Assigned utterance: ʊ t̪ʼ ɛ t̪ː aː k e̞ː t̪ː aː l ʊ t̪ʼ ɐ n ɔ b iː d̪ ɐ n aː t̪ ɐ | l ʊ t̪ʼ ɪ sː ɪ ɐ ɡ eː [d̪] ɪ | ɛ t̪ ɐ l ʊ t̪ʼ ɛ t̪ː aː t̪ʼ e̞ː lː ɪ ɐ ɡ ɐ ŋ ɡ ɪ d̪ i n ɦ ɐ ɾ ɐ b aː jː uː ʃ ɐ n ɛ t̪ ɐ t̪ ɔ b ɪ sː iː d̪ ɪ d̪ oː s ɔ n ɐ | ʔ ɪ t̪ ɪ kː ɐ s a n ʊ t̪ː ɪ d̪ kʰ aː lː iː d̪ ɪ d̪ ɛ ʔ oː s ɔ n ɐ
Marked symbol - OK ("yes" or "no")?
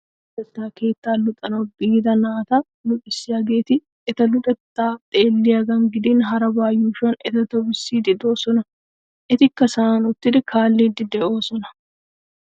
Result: no